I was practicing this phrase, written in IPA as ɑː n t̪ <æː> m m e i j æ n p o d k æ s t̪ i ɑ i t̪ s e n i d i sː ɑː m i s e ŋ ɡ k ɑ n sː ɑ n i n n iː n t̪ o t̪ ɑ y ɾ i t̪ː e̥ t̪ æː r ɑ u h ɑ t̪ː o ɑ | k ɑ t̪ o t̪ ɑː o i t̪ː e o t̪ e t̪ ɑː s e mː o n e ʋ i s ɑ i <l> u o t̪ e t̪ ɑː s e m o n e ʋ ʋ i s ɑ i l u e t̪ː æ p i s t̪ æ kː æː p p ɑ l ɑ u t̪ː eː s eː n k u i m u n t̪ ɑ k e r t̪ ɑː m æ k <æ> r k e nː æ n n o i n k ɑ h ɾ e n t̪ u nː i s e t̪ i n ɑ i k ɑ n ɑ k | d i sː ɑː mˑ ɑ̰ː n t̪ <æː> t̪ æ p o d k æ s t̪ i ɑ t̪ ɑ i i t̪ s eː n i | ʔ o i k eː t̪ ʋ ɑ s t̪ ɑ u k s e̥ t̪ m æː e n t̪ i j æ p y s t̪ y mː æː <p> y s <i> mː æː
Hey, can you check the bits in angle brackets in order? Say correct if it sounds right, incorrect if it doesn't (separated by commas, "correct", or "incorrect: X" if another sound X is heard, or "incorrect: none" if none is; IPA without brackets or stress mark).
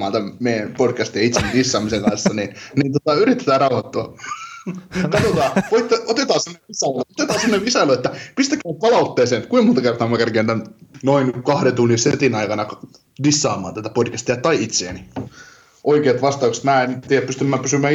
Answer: incorrect: æ, correct, correct, incorrect: æ, correct, incorrect: y